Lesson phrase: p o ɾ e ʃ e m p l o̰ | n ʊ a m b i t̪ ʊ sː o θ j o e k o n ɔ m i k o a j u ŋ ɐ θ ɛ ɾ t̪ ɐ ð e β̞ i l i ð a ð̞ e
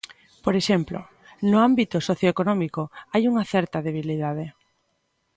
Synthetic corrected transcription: p o ɾ e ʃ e m p l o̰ | n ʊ a m b i t̪ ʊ s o θ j o e k o n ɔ m i k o a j u ŋ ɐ θ ɛ ɾ t̪ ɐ ð e β̞ i l i ð a ð̞ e